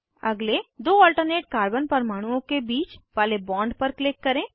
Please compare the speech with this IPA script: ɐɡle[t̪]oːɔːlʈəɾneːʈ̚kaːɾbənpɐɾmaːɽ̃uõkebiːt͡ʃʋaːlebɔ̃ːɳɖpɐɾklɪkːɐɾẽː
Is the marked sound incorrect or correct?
incorrect